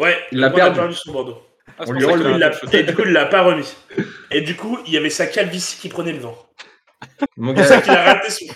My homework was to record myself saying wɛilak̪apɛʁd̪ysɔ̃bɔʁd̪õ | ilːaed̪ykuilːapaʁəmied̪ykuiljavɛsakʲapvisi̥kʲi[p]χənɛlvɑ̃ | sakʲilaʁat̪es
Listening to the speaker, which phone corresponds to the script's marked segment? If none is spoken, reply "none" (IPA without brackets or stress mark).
p